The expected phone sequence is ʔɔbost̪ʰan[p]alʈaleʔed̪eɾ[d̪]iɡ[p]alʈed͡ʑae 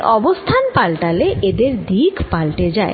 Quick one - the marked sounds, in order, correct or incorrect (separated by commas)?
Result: correct, correct, correct